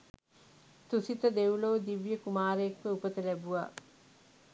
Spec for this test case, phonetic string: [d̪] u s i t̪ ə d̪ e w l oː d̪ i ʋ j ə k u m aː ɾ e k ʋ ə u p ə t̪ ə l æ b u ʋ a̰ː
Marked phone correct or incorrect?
incorrect